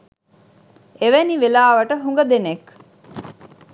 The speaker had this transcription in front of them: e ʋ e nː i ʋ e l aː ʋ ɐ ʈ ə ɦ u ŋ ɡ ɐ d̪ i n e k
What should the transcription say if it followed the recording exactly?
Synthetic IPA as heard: e ʋ e n i ʋ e l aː ʋ ɐ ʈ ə ɦ u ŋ ɡ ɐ d̪ e n e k

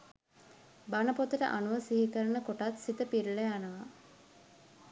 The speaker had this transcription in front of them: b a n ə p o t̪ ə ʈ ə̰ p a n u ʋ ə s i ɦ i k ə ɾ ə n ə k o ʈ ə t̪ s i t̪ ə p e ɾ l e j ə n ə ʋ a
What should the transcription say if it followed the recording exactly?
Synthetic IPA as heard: b a n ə p o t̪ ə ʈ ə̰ ʔ a n u ʋ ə s i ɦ i k ə ɾ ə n ə k o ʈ a t̪ s i t̪ ə p i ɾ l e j a n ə ʋ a

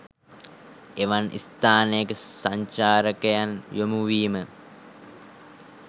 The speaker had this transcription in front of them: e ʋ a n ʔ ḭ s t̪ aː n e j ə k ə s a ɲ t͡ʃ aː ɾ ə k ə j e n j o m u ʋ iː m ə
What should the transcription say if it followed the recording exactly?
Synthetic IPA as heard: e ʋ a n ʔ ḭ s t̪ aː n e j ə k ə s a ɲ t͡ʃ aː ɾ ə k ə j a n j o m u ʋ iː m ə

